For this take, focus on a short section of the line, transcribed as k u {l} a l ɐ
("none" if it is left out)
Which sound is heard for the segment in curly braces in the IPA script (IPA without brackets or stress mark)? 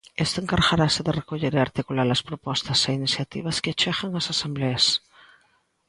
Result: l